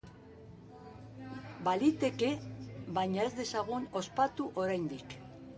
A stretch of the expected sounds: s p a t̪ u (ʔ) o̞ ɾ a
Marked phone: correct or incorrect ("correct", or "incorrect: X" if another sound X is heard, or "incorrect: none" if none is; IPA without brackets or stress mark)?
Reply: correct